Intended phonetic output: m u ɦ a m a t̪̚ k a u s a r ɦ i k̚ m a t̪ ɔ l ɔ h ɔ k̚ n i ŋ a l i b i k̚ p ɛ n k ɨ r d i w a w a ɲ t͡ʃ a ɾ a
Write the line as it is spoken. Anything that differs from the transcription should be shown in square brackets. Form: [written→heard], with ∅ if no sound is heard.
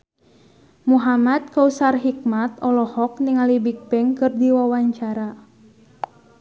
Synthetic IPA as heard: m u ɦ a m a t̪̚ k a u s a r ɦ i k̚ m a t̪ ɔ l ɔ h ɔ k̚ n i ŋ a l i b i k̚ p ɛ [n→ŋ] k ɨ r d i w a w a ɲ t͡ʃ a ɾ a